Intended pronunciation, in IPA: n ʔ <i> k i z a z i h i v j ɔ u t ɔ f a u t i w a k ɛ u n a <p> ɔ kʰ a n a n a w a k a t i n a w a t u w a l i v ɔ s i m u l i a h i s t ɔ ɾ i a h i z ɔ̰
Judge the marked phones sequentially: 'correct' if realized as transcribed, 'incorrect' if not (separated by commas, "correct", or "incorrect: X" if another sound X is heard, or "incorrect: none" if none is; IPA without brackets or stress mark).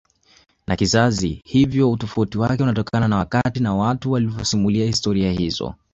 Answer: incorrect: a, incorrect: t